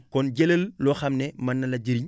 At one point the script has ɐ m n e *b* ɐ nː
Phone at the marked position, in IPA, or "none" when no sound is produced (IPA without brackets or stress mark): m